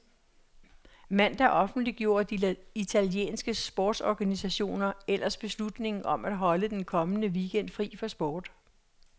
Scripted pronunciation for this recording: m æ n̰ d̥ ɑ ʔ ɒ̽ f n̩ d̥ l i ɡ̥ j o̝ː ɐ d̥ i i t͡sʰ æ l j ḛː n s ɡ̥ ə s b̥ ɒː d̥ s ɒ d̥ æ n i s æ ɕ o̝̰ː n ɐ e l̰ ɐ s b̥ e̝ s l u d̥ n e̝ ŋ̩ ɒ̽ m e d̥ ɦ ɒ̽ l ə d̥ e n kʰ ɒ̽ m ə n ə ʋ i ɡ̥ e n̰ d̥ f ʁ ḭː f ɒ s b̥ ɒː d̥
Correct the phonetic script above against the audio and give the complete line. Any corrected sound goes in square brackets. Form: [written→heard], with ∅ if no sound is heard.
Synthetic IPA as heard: m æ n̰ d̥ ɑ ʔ ɒ̽ f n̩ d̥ l i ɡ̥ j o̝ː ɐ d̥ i i t͡sʰ æ l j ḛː n s ɡ̥ ə s b̥ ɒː d̥ s ɒ [d̥→ɡ̥] æ n i s æ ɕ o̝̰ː n ɐ e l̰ ɐ s b̥ e̝ s l u d̥ n e̝ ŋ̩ ɒ̽ m [e→æ] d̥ ɦ ɒ̽ l ə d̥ e n kʰ ɒ̽ m ə n ə ʋ i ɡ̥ e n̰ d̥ f ʁ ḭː f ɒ s b̥ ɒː d̥